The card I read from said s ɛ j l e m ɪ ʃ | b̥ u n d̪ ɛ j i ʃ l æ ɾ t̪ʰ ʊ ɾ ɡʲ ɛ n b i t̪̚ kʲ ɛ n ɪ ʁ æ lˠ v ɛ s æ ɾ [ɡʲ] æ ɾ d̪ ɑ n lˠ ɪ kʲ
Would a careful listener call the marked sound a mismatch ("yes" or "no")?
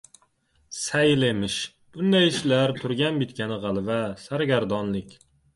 no